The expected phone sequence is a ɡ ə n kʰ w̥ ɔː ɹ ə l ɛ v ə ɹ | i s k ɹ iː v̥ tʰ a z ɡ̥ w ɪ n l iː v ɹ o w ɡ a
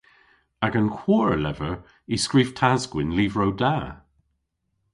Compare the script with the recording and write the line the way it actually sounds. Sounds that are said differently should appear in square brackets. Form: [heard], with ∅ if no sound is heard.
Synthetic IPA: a ɡ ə n kʰ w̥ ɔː ɹ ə l ɛ v ə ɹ | i s k ɹ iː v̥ tʰ a z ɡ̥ w ɪ n l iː v ɹ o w [d] a